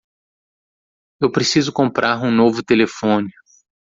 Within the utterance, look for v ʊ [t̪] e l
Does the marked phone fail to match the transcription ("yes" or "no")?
no